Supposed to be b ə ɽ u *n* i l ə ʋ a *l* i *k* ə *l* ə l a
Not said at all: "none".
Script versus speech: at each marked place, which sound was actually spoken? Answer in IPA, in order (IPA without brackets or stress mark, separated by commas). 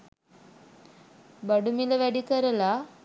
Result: m, ɽ, k, ɾ